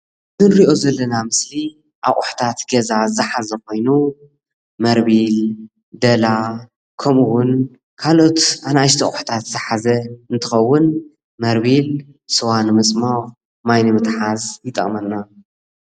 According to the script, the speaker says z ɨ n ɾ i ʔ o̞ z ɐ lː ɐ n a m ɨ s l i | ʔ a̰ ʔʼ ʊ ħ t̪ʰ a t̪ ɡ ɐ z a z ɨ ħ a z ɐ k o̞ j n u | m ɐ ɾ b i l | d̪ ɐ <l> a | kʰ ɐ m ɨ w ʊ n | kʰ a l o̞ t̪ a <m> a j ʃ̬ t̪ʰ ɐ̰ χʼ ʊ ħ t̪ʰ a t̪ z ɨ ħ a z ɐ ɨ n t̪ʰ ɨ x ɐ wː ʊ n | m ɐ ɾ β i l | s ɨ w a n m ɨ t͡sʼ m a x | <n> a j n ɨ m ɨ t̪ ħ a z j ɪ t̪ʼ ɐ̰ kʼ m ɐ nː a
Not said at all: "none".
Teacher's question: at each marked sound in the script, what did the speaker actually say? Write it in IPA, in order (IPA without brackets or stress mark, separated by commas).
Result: l, n, m